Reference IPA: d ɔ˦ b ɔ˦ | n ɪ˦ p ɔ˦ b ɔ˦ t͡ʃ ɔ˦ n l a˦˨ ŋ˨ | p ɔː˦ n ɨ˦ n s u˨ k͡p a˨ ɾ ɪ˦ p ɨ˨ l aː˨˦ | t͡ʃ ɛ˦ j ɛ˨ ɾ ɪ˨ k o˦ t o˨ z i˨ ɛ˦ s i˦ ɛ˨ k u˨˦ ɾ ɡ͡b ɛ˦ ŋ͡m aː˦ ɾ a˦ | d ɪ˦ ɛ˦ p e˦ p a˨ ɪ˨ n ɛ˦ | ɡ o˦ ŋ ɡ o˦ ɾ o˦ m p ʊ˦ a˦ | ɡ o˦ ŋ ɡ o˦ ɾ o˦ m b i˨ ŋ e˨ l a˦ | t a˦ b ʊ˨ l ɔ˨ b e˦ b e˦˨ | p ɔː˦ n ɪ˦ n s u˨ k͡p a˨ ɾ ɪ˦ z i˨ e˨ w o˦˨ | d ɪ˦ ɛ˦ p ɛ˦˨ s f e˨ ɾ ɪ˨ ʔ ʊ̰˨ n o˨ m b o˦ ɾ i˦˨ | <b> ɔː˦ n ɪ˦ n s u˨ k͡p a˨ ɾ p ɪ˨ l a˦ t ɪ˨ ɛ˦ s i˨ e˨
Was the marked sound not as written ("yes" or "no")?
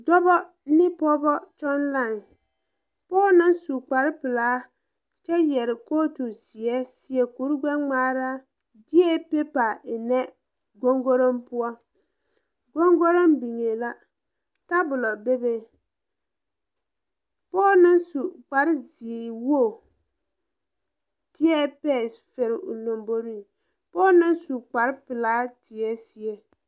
yes